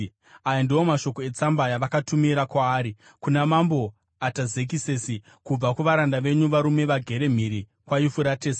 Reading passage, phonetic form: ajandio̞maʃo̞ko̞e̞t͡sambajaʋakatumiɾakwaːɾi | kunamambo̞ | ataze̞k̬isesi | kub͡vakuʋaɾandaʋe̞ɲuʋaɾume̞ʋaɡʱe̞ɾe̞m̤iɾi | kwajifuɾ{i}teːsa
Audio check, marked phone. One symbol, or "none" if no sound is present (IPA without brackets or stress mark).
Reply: a